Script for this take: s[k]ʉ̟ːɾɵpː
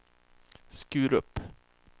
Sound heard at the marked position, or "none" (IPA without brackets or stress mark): k